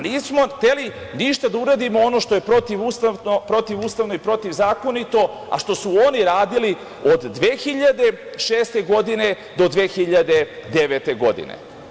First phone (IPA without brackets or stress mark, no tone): n